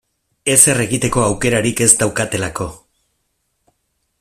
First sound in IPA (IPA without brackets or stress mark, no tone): e̞